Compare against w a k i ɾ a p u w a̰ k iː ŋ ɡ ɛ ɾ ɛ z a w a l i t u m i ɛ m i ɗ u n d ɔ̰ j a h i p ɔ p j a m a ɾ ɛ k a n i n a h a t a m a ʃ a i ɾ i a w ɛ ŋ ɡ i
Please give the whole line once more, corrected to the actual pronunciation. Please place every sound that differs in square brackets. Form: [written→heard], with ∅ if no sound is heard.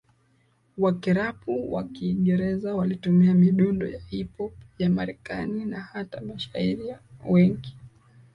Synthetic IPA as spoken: w a k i ɾ a p u w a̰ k iː ŋ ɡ ɛ ɾ ɛ z a w a l i t u m i [ɛ→a] m i ɗ u n d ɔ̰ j a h i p ɔ p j a m a ɾ ɛ k a n i n a h a t a m a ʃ a i ɾ i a w ɛ ŋ ɡ i